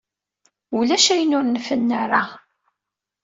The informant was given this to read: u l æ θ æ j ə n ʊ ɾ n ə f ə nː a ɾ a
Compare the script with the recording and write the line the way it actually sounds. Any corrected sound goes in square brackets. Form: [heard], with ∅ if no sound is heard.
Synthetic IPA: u l æ [ʃ] æ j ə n ʊ ɾ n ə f ə nː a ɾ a